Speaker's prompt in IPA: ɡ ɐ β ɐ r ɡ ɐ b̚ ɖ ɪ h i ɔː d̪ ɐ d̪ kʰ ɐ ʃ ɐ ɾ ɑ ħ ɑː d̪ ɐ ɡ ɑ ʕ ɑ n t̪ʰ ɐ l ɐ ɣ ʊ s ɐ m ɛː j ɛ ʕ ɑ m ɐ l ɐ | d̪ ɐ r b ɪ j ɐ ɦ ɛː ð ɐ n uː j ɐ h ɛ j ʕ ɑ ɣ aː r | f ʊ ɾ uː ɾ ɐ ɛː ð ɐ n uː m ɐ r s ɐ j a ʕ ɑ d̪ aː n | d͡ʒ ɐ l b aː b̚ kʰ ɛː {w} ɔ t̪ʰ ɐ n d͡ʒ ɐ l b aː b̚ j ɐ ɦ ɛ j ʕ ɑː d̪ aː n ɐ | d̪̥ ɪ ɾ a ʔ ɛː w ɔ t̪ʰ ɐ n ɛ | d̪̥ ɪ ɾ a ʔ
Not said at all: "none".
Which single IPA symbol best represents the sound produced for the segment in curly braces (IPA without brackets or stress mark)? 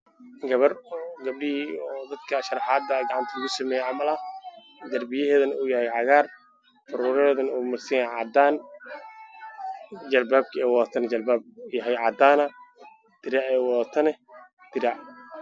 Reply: w